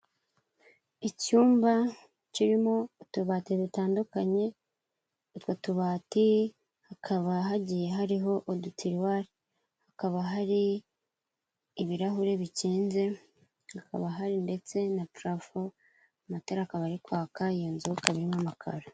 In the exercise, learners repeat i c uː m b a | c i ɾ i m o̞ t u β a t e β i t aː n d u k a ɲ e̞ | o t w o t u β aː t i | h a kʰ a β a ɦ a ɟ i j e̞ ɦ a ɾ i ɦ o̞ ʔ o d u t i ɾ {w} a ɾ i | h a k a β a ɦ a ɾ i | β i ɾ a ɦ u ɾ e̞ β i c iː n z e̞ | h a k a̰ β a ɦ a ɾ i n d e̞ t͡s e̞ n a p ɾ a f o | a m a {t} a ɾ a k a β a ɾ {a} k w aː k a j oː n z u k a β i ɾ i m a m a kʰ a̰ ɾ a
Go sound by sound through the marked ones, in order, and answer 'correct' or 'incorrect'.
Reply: correct, correct, incorrect: i

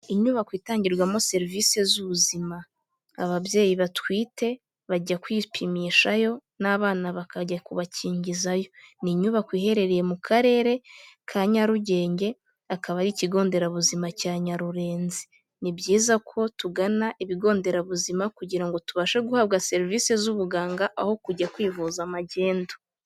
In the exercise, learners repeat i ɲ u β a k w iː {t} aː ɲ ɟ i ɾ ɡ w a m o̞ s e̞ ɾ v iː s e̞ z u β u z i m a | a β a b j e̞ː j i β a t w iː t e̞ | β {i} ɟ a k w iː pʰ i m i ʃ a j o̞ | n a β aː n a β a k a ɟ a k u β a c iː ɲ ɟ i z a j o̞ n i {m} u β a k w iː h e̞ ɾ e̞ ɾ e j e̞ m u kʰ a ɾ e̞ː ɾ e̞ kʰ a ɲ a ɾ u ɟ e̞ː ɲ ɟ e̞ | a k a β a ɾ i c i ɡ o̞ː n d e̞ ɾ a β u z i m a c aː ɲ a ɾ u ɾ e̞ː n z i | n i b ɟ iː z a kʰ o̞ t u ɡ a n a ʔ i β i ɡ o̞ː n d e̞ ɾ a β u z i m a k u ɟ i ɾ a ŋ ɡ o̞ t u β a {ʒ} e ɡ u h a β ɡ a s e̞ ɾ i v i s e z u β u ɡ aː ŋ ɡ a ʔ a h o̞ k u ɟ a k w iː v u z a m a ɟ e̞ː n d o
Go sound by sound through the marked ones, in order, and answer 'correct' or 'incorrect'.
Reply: correct, incorrect: a, incorrect: ɲ, incorrect: ʃ

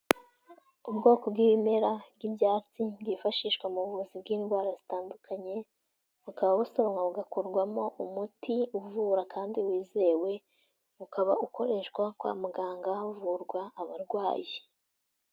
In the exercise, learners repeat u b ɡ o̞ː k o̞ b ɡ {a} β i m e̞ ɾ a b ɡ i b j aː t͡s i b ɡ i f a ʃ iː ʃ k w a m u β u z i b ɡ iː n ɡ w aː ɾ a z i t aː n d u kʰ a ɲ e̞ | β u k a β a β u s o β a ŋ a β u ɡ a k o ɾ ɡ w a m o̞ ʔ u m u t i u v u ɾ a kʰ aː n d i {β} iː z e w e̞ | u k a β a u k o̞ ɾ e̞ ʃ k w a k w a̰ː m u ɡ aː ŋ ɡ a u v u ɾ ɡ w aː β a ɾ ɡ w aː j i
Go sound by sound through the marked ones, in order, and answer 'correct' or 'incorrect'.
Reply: incorrect: i, incorrect: w

